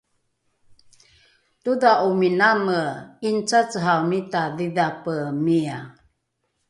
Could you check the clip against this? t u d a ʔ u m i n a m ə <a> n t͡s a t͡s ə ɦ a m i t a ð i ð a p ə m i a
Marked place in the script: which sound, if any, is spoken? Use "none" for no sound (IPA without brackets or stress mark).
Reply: i